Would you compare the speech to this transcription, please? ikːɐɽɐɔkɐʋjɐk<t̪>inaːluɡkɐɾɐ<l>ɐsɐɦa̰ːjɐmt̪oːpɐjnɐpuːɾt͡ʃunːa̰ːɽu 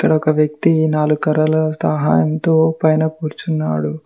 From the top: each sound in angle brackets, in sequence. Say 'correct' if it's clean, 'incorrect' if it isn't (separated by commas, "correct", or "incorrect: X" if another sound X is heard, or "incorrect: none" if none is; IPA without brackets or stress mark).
correct, correct